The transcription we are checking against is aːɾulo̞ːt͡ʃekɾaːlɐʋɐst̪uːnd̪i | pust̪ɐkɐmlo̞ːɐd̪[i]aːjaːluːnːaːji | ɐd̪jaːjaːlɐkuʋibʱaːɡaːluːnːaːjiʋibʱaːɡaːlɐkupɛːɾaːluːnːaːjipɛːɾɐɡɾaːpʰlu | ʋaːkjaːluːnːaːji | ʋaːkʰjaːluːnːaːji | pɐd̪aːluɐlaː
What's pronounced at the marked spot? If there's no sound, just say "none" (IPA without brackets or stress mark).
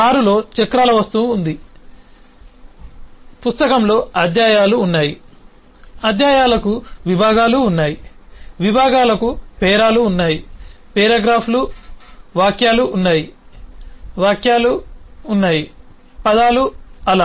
j